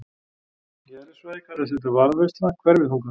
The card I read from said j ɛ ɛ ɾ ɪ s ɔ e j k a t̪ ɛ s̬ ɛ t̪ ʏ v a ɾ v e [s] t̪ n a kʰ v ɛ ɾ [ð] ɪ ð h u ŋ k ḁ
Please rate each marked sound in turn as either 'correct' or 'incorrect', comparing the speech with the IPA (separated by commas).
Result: correct, incorrect